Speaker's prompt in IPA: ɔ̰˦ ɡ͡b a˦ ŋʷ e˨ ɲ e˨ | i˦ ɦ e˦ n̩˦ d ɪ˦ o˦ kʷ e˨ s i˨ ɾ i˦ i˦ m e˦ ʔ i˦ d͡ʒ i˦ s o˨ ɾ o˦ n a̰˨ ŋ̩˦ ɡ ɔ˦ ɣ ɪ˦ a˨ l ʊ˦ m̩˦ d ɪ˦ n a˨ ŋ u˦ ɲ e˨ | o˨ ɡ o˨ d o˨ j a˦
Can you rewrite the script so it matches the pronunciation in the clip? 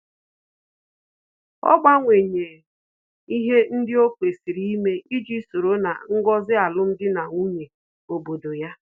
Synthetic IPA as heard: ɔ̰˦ ɡ͡b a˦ ŋʷ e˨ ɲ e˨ | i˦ ɦ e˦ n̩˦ d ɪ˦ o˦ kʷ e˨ s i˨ ɾ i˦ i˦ m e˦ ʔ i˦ d͡ʒ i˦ s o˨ ɾ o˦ n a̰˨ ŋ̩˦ ɡ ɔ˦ z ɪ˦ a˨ l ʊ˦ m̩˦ d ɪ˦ n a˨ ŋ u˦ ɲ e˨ | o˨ b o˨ d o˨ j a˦

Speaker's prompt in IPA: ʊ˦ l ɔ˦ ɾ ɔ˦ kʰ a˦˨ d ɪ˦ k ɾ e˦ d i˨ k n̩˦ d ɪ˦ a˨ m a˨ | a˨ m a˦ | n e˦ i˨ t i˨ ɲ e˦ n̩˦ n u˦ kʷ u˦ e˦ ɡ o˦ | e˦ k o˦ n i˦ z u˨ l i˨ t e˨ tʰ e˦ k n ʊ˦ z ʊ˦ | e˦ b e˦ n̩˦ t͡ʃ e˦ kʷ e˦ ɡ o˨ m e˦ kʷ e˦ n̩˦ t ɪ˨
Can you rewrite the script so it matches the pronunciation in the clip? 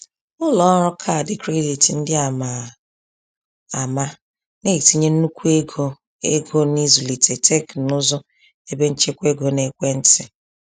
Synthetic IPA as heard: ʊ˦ l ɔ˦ ɾ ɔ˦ kʰ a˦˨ d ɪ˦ k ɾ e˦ d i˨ t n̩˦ d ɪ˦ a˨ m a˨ | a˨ m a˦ | n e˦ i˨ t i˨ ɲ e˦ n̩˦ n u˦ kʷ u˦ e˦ ɡ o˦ | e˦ ɡ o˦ n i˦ z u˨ l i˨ t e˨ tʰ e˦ k n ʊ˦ z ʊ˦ | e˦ b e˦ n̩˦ t͡ʃ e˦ kʷ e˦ ɡ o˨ n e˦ kʷ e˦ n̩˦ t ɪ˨

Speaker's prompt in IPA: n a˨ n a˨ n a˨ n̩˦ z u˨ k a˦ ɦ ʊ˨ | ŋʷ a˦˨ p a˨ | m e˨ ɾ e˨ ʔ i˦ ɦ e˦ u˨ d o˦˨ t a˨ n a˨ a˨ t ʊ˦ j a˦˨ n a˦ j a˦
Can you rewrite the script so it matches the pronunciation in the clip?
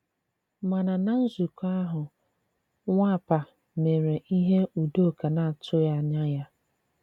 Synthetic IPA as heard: m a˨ n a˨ n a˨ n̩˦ z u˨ k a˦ ɦ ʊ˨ | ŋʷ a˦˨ p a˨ | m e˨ ɾ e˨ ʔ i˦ ɦ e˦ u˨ d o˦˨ k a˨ n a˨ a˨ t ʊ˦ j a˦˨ ɲ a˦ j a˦

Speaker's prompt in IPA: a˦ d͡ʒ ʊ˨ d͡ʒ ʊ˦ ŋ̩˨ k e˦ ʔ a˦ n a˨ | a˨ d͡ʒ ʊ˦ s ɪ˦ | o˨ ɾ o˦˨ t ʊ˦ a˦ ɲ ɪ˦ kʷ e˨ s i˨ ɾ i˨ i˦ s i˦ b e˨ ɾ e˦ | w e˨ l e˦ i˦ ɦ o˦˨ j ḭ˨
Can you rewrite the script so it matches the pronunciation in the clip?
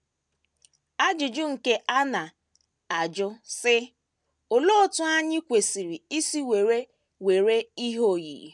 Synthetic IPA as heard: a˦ d͡ʒ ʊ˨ d͡ʒ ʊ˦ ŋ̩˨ k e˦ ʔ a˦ n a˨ | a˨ d͡ʒ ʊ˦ s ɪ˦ | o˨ l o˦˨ t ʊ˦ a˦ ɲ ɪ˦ kʷ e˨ s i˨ ɾ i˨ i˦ s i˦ w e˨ ɾ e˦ | w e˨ ɾ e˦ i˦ ɦ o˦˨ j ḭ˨

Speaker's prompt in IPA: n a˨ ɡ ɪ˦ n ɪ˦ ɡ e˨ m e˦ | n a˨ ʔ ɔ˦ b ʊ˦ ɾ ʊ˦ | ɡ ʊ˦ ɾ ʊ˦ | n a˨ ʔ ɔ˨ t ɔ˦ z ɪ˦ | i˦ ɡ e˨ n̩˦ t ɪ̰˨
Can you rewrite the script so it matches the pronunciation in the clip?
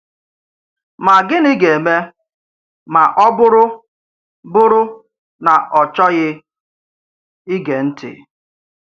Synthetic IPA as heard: m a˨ ɡ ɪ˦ n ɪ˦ ɡ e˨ m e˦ | m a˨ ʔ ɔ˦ b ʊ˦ ɾ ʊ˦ | b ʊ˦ ɾ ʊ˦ | n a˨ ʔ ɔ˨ t͡ʃ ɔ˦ ɣ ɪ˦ | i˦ ɡ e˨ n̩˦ t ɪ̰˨

